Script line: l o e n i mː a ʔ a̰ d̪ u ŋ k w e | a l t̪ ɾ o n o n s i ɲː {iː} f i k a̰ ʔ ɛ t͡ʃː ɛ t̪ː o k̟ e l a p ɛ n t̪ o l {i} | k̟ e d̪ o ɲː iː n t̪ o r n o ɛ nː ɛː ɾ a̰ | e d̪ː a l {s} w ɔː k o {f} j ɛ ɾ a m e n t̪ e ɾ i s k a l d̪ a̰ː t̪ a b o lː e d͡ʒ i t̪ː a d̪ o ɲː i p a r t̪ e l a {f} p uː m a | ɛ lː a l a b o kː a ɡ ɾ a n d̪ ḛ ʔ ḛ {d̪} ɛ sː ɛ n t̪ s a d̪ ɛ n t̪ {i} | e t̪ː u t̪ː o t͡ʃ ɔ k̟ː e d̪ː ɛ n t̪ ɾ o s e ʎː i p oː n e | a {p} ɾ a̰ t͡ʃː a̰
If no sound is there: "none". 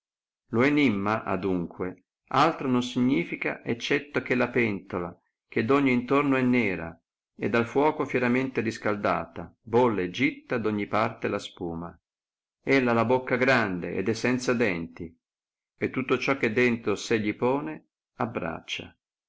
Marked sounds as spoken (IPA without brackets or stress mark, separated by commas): iː, a, f, f, s, d̪, i, b